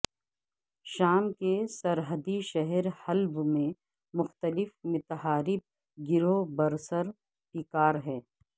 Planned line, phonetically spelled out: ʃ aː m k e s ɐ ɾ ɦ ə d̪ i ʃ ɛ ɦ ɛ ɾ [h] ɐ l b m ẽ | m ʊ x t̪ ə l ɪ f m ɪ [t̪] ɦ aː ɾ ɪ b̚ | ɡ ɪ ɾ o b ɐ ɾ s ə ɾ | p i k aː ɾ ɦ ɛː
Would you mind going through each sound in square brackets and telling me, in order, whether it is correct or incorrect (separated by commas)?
correct, correct